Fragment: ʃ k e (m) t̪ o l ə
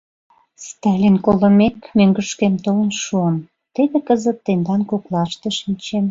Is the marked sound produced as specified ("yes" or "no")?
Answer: yes